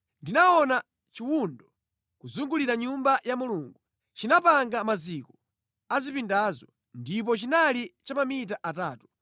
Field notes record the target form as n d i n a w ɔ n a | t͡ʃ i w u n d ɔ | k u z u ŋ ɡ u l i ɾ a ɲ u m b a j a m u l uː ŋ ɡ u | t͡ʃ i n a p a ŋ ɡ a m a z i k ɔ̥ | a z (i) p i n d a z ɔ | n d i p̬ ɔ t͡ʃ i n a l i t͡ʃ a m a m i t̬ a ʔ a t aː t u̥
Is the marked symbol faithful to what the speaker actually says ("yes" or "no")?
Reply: yes